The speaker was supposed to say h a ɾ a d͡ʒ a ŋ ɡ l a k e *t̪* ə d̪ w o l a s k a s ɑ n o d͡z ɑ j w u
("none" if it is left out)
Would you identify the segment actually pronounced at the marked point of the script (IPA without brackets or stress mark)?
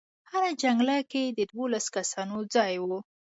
d̪